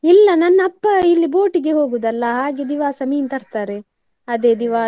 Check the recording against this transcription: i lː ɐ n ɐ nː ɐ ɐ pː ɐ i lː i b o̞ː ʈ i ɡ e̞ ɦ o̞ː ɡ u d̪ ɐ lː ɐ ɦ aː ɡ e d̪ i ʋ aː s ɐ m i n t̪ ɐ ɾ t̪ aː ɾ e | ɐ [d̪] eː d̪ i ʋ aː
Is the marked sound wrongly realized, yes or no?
no